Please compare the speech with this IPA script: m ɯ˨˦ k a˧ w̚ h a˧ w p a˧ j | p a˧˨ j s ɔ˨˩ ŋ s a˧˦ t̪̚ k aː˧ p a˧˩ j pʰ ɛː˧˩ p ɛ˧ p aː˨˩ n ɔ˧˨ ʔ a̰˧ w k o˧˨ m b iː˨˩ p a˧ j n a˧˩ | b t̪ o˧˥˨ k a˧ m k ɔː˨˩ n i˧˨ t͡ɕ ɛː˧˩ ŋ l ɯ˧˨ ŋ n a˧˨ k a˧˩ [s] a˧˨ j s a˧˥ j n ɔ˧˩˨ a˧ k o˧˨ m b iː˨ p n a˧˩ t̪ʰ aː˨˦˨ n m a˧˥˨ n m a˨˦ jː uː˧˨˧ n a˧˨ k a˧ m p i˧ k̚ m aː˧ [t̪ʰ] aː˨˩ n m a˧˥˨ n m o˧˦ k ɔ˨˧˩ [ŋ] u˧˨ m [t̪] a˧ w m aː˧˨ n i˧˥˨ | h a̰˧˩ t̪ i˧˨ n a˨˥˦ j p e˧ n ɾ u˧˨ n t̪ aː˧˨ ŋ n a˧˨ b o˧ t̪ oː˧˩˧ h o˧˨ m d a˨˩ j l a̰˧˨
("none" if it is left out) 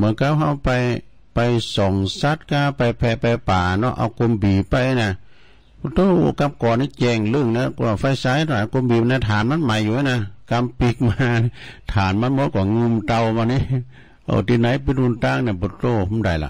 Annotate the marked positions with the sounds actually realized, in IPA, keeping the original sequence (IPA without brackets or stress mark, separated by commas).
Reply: f, t̪ʰ, ŋ, t̪